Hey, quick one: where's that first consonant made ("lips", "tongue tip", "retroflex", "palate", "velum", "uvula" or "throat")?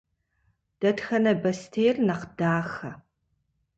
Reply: tongue tip